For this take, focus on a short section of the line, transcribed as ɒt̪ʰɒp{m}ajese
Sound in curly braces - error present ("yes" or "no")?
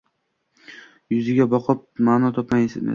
no